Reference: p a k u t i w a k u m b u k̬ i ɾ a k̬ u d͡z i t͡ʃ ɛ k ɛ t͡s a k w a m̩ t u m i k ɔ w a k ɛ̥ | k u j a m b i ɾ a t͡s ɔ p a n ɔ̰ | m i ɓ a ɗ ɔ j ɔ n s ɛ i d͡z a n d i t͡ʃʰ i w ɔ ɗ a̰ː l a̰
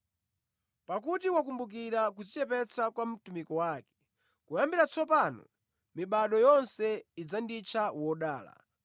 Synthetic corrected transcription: p a k u t i w a k u m b u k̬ i ɾ a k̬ u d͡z i t͡ʃ ɛ p ɛ t͡s a k w a m̩ t u m i k ɔ w a k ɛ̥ | k u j a m b i ɾ a t͡s ɔ p a n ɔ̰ | m i ɓ a ɗ ɔ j ɔ n s ɛ i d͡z a n d i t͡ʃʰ a w ɔ ɗ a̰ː l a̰